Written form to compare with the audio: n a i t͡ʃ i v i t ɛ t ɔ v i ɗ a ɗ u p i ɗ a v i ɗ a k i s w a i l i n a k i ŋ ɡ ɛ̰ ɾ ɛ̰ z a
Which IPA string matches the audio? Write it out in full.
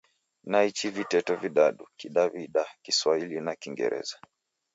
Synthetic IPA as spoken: n a i t͡ʃ i v i t ɛ t ɔ v i ɗ a ɗ u k i ɗ a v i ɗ a k i s w a i l i n a k i ŋ ɡ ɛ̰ ɾ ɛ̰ z a